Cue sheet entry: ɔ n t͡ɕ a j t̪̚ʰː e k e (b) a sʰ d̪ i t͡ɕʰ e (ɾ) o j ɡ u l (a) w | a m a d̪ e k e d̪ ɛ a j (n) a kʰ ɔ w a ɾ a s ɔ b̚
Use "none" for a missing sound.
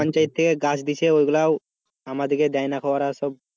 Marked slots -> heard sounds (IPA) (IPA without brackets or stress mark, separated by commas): ɡ, none, a, n